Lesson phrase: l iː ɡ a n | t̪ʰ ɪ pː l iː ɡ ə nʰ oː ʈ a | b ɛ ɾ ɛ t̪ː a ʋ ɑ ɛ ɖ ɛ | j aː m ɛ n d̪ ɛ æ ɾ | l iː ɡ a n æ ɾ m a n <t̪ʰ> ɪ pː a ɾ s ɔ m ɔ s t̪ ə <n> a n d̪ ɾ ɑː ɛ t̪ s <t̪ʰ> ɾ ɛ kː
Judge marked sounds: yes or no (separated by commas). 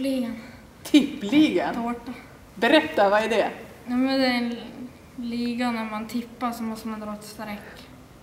yes, no, no